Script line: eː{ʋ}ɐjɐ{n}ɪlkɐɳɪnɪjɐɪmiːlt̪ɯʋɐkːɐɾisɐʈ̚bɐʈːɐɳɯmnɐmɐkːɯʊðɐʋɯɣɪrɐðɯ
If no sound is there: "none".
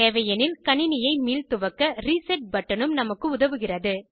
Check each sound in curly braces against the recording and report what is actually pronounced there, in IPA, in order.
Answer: ʋ, n

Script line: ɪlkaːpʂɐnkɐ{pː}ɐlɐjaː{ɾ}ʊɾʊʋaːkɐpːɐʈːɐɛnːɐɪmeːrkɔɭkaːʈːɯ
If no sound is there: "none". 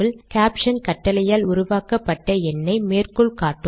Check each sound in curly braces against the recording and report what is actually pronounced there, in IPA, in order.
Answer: ʈː, l

